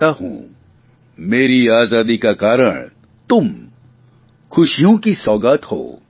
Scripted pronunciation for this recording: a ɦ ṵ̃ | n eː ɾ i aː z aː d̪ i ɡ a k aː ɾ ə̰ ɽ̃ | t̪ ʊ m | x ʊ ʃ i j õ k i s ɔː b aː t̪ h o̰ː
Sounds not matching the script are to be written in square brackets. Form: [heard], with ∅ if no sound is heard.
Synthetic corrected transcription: a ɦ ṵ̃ | [m] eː ɾ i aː z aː d̪ i [k] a k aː ɾ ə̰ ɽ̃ | t̪ ʊ m | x ʊ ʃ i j õ k i s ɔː [ɡ] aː t̪ h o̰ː